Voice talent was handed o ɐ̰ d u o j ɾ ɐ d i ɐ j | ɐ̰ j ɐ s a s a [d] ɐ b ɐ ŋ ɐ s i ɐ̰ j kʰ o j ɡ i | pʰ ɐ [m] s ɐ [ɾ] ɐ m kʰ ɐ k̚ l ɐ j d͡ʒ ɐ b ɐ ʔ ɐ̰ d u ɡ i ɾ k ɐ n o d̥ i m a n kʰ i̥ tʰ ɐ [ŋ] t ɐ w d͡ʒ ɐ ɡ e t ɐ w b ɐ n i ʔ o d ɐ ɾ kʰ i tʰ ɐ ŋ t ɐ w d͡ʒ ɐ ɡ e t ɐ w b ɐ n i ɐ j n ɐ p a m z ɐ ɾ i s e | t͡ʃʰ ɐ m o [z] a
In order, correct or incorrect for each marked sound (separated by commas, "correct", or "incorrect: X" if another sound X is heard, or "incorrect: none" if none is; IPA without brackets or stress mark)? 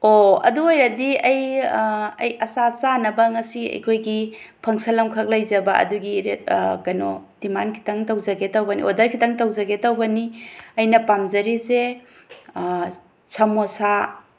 incorrect: n, incorrect: ŋ, incorrect: l, correct, incorrect: s